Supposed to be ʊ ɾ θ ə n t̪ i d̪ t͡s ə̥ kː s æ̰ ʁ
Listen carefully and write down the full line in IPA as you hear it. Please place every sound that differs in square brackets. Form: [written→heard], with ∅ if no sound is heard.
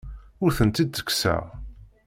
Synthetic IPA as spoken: ʊ ɾ θ ə n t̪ i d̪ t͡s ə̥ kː s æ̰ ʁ